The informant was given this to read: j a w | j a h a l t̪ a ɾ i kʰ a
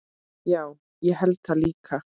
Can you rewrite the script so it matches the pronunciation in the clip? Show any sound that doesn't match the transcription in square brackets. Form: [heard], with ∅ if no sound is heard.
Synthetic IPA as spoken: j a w | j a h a l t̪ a [l] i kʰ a